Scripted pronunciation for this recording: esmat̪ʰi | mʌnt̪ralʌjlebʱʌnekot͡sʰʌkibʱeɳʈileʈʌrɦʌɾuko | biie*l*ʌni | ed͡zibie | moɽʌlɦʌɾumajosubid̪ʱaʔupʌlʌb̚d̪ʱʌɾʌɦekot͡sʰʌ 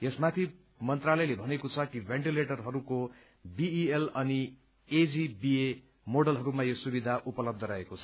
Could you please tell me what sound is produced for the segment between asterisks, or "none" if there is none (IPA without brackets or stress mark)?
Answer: l